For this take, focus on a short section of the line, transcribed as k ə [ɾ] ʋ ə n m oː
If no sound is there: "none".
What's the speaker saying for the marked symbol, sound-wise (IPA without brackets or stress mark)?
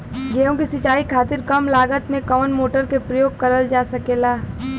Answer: none